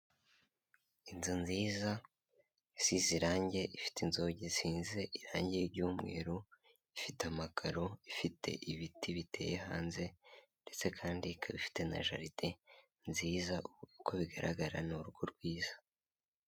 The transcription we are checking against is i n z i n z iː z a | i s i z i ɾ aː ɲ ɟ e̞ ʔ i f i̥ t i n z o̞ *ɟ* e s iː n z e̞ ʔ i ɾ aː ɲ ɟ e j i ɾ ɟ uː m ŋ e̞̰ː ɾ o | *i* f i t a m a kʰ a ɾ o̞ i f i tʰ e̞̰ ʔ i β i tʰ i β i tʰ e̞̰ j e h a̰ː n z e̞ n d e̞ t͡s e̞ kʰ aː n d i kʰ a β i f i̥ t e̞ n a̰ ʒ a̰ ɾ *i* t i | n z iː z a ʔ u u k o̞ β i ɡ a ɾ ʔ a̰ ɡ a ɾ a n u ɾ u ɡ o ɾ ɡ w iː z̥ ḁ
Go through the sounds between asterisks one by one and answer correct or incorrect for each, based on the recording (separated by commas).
correct, correct, correct